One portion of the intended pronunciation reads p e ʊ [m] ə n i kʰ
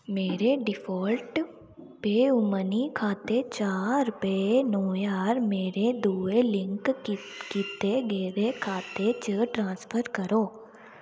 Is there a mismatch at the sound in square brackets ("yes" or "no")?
no